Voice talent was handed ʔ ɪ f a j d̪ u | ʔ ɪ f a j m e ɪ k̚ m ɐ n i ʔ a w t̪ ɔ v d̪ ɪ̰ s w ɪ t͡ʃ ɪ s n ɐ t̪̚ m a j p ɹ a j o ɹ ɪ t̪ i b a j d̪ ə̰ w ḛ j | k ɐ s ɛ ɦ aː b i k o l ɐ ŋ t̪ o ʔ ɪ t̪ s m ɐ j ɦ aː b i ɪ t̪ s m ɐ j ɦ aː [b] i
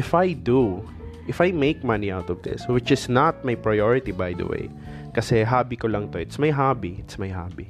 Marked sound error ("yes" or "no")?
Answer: no